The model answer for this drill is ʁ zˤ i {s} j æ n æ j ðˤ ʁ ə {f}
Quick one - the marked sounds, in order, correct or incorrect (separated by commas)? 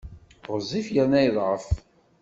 incorrect, correct